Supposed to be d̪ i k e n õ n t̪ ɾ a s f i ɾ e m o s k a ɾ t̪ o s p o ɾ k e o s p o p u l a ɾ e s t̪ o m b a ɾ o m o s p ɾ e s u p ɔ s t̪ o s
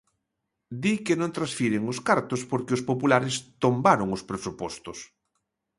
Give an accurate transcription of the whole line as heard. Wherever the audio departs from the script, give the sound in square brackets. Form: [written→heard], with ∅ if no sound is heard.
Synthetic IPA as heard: d̪ i k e n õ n t̪ ɾ a s f i ɾ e [m→ŋ] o s k a ɾ t̪ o s p o ɾ k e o s p o p u l a ɾ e s t̪ o m b a ɾ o [m→ŋ] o s p ɾ e s u p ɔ s t̪ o s